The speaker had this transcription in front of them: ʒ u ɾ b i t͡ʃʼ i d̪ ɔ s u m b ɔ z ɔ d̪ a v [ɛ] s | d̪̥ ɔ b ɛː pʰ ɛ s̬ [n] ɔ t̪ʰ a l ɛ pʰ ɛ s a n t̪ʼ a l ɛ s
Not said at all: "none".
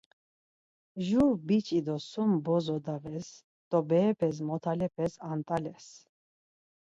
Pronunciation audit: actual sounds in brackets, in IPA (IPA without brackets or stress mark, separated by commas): ɛ, m